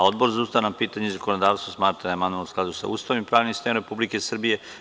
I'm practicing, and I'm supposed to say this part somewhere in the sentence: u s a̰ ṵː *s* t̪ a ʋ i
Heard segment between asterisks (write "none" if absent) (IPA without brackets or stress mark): s